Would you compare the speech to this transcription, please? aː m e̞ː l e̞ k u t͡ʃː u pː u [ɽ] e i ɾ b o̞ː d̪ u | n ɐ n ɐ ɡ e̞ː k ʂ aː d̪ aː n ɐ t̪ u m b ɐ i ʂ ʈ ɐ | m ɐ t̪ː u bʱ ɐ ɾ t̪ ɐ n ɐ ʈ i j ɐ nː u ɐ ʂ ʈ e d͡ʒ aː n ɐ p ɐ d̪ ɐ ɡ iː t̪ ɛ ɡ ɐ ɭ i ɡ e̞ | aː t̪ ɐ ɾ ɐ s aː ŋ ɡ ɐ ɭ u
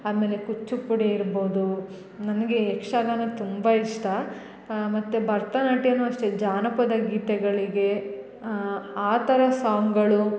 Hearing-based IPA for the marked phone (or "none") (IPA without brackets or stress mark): ɽ